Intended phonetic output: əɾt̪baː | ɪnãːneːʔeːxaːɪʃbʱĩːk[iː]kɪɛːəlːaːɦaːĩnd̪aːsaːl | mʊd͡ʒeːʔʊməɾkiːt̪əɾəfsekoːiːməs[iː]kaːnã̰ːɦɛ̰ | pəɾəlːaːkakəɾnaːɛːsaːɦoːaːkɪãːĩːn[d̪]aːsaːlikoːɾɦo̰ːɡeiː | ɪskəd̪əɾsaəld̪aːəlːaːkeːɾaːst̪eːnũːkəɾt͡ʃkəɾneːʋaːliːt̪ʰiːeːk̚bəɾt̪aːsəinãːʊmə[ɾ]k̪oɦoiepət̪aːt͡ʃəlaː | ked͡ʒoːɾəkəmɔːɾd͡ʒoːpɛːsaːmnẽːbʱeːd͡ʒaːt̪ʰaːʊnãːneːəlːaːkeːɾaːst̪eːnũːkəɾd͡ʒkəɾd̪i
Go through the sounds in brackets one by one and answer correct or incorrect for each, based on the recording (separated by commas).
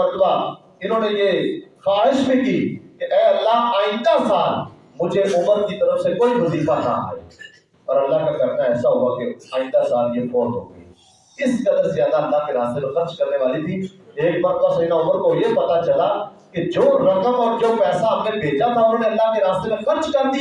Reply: correct, correct, correct, correct